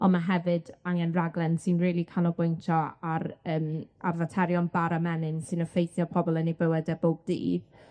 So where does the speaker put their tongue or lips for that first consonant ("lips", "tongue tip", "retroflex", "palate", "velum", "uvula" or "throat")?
tongue tip